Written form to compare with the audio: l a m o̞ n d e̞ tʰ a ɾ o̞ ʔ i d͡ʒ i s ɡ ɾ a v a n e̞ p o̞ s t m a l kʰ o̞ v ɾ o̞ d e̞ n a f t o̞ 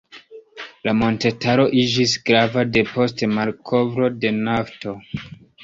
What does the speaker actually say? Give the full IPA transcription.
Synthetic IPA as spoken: l a m o̞ n t e̞ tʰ a ɾ o̞ ʔ i d͡ʒ i s ɡ ɾ a v a d e̞ p o̞ s t m a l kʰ o̞ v ɾ o̞ d e̞ n a f t o̞